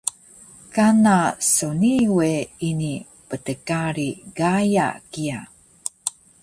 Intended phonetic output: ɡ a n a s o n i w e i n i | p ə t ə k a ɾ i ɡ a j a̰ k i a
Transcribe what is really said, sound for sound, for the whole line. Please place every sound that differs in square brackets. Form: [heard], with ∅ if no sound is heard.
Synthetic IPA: [k] a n a s o n i w e i n i | p ə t ə k a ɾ i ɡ a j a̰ k i a

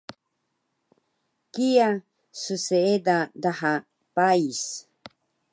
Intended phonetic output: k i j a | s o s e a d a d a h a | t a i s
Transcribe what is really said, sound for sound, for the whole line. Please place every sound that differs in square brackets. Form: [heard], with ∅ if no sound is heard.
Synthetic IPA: k i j a | s [u] s e [e] d a d a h a | [p] a i s

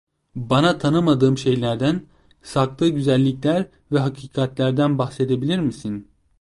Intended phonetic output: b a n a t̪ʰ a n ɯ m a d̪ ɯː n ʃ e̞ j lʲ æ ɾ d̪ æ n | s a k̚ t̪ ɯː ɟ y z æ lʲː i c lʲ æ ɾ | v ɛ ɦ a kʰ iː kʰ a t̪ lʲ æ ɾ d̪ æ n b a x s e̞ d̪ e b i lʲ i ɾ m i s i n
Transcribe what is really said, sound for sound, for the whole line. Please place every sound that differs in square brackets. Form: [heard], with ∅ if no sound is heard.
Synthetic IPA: b a n a t̪ʰ a n ɯ m a d̪ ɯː [m] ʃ e̞ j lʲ æ ɾ d̪ æ n | s a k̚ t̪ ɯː ɟ y z æ lʲː i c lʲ æ ɾ | v ɛ ɦ a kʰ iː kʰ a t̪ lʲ æ ɾ d̪ æ n b a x s e̞ d̪ e b i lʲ i ɾ m i s i n

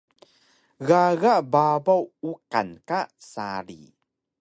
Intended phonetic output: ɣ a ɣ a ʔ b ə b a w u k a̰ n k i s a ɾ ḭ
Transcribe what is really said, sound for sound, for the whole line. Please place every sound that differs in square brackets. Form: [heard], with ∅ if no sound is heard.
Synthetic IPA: ɣ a ɣ a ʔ b [a] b a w u k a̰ n k [a] s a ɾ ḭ

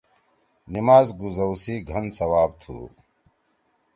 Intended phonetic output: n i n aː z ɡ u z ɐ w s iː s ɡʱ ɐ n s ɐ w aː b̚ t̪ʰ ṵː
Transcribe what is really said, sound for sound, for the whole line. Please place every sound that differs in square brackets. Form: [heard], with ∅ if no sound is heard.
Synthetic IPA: n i [m] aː z ɡ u z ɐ w s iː [∅] ɡʱ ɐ n s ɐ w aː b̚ t̪ʰ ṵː

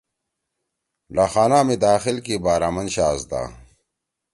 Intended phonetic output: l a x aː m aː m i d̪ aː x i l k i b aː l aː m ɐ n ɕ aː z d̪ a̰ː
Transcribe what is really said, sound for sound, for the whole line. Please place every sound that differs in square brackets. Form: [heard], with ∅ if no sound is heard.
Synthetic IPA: l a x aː [n] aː m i d̪ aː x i l k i b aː [ɾ] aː m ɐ n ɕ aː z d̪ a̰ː

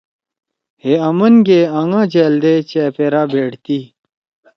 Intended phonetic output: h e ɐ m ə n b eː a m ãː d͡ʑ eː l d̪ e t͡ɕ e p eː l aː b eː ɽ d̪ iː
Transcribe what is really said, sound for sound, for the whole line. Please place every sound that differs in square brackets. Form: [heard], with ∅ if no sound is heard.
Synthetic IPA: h e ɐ m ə n [ɡ] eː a [ŋ] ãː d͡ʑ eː l d̪ e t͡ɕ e p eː [ɾ] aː b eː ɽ [t̪] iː

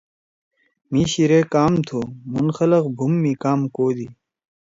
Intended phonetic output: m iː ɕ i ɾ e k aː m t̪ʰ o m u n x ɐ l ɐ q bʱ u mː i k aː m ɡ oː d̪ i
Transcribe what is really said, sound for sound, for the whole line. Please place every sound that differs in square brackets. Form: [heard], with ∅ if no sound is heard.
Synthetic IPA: m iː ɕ i ɾ e k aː m t̪ʰ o m u n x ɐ l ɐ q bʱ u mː i k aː m [k] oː d̪ i

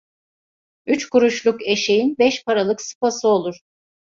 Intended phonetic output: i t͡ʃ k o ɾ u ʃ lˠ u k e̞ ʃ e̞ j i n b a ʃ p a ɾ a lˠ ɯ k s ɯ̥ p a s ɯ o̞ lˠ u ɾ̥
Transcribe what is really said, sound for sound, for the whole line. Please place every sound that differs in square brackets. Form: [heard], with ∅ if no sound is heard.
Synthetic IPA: [y] t͡ʃ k [u] ɾ u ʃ lˠ u k e̞ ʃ e̞ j i n b [ɛ] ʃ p a ɾ a lˠ ɯ k s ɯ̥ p a s ɯ o̞ lˠ u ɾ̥

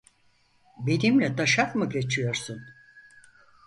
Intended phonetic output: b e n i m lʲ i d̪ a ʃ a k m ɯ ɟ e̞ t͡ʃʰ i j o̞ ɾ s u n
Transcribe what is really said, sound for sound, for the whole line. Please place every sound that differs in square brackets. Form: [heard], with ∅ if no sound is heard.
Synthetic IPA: b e n i m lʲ [ɛ] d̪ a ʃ a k m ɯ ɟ e̞ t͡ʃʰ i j o̞ ɾ s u n

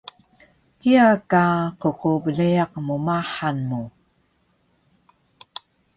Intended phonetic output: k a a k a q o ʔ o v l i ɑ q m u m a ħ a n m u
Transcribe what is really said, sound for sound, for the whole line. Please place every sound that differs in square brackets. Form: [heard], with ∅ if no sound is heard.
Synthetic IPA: k [i] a k a q o [q] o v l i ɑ q m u m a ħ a n m u

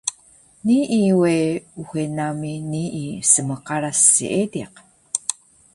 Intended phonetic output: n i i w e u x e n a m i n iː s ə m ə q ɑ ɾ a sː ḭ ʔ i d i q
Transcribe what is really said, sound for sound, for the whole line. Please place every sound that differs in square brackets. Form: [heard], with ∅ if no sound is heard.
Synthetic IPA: n i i w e u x e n a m i n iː s ə m ə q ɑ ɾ a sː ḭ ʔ [e] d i q

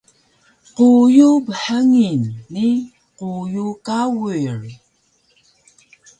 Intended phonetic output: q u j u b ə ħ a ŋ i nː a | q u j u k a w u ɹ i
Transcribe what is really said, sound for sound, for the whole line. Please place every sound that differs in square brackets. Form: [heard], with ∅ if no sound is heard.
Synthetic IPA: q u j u b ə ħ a ŋ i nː [i] | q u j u k a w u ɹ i

